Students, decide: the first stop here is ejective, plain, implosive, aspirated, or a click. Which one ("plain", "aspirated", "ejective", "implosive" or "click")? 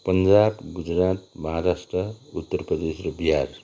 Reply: plain